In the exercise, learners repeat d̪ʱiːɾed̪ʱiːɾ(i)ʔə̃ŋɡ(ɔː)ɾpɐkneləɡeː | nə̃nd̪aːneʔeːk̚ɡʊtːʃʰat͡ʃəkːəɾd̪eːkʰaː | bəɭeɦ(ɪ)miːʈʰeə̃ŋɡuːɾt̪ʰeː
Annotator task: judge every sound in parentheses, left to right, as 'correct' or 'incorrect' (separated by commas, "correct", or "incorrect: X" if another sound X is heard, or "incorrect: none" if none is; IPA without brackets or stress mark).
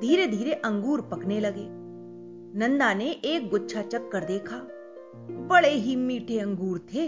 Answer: incorrect: e, incorrect: uː, incorrect: i